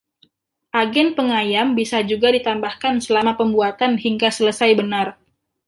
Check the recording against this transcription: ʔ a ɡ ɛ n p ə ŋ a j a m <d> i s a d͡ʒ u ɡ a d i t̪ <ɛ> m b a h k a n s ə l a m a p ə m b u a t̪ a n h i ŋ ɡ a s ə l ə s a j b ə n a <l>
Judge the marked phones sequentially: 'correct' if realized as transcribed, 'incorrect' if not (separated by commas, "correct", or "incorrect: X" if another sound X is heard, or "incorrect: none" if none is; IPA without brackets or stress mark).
incorrect: b, incorrect: a, incorrect: r